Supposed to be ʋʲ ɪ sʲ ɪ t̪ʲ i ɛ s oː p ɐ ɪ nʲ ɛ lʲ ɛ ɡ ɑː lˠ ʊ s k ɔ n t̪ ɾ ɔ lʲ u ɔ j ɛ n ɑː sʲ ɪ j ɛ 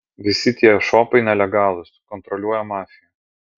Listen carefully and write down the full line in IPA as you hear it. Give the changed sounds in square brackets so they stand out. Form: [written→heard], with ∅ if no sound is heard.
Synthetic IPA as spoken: ʋʲ ɪ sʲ ɪ t̪ʲ i ɛ [s→ʃ] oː p ɐ ɪ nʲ ɛ lʲ ɛ ɡ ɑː lˠ ʊ s k ɔ n t̪ ɾ ɔ lʲ u ɔ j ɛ [n→m] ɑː [sʲ→fʲ] ɪ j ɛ